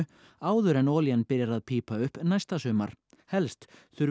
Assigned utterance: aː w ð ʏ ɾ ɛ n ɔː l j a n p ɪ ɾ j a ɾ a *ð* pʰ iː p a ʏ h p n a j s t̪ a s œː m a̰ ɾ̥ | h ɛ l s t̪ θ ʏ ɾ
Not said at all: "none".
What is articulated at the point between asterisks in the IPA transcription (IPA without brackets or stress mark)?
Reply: ð